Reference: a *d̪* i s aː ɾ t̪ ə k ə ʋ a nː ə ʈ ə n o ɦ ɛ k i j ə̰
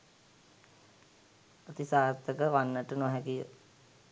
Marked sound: incorrect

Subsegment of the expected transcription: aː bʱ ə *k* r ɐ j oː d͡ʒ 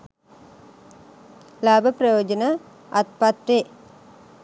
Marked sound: incorrect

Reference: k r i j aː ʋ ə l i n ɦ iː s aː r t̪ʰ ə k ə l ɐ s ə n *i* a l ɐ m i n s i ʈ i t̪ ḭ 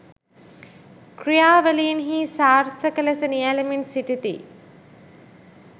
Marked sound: correct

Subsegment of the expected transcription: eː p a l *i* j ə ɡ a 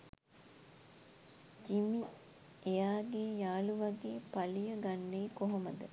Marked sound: correct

